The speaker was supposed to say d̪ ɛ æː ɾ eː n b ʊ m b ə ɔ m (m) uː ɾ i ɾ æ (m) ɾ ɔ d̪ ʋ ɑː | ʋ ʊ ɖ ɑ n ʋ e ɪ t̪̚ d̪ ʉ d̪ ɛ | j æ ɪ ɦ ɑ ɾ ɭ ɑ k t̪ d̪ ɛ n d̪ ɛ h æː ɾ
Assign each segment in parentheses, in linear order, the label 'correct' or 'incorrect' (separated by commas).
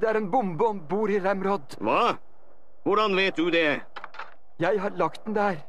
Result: incorrect, correct